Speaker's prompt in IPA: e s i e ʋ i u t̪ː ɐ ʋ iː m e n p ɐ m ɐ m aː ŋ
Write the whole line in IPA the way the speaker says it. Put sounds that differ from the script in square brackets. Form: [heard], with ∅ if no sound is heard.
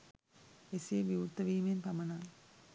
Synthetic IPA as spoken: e s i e ʋ i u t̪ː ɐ ʋ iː m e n p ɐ m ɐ [n] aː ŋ